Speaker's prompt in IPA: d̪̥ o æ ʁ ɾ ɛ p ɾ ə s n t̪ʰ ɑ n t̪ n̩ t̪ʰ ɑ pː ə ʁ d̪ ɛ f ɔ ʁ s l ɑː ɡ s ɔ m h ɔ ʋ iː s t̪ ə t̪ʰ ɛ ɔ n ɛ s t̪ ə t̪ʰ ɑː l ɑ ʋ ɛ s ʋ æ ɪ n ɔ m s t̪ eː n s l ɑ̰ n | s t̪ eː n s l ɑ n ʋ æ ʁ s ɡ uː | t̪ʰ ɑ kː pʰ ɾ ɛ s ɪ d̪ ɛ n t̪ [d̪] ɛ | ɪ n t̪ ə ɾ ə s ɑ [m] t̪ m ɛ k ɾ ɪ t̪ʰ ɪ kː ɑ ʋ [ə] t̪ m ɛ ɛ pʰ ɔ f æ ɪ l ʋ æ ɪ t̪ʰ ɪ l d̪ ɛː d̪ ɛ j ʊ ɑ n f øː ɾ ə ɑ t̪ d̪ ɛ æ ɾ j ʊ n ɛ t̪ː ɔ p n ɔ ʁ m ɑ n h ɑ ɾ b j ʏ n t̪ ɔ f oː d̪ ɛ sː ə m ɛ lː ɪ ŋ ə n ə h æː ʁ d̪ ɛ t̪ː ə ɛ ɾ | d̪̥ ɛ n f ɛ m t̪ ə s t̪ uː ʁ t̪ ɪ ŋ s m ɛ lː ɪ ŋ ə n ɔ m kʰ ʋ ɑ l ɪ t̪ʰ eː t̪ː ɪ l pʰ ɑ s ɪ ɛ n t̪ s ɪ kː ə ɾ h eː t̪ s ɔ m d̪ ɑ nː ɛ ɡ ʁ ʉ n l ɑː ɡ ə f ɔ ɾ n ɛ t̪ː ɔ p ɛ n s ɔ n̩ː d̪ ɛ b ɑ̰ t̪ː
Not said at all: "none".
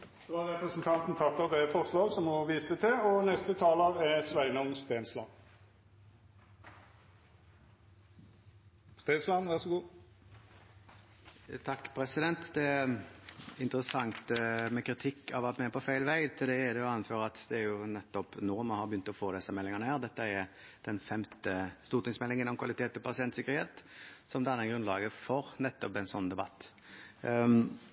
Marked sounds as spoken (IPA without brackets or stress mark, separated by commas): d̪, ŋ, ɑ